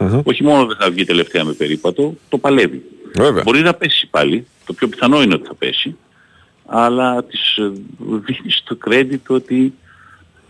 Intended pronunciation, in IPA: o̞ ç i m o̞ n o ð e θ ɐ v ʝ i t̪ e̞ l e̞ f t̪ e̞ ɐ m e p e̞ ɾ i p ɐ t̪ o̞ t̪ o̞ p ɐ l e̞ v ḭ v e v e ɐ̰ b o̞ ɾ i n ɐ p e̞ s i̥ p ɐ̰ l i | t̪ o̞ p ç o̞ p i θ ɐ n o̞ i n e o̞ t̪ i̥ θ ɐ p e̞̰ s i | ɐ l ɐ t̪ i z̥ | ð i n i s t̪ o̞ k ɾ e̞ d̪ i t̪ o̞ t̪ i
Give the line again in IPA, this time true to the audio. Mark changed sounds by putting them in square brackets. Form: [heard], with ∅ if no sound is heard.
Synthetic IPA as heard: o̞ ç i m o̞ n o ð e θ ɐ v ʝ i t̪ e̞ l e̞ f t̪ e̞ ɐ m e p e̞ ɾ i p ɐ t̪ o̞ t̪ o̞ p ɐ l e̞ v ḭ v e v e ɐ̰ b o̞ ɾ i n ɐ p e̞ s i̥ p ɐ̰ l i | t̪ o̞ p ç o̞ p i θ ɐ n o̞ i n e o̞ t̪ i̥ θ ɐ p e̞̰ s i | ɐ l ɐ t̪ i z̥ | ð i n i s t̪ o̞ k ɾ e̞ d̪ i t̪ o̞ t̪ i